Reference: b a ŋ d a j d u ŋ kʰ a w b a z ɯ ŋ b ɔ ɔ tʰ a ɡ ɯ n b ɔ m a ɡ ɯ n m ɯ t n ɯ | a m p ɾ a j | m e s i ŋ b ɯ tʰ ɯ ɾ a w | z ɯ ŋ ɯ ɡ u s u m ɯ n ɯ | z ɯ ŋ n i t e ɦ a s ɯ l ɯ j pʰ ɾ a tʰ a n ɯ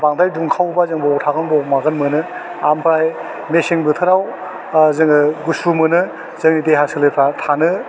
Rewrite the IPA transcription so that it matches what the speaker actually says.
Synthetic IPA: b a ŋ d a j d u ŋ kʰ a w b a z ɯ ŋ b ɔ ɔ tʰ a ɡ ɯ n b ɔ m a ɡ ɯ n m ɯ n ɯ | a m p ɾ a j | m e s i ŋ b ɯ tʰ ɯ ɾ a w | z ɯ ŋ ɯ ɡ u s u m ɯ n ɯ | z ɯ ŋ n i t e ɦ a s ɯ l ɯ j pʰ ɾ a tʰ a n ɯ